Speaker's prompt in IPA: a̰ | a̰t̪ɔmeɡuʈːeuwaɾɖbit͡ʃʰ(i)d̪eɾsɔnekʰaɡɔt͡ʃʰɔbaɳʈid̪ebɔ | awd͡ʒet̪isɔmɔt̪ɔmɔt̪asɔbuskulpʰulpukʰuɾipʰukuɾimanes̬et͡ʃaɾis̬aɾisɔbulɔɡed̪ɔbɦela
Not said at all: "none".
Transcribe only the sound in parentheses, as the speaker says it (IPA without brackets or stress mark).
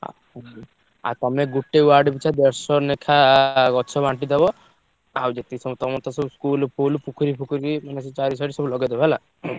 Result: a